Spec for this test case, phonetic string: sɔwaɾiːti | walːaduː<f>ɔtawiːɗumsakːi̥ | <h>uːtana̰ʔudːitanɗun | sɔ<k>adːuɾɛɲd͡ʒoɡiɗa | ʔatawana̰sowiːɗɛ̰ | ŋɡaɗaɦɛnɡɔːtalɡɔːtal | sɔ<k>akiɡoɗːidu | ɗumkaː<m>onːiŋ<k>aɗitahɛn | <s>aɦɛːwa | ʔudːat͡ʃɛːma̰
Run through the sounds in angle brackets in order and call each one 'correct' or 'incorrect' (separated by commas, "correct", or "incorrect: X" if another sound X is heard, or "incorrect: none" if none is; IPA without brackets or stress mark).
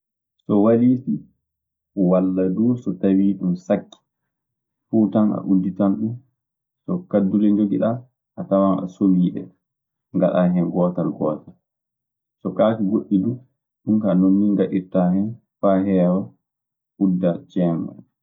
incorrect: s, incorrect: f, correct, correct, incorrect: n, incorrect: ɡ, incorrect: f